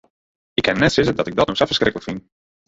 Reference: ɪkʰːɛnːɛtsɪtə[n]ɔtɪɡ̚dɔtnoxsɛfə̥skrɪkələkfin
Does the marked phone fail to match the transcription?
yes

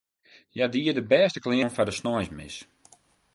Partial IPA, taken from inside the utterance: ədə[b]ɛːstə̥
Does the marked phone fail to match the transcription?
no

